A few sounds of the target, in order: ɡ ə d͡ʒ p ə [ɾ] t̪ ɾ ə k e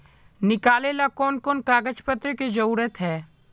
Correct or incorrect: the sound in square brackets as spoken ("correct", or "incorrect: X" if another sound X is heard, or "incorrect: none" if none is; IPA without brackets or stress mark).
incorrect: none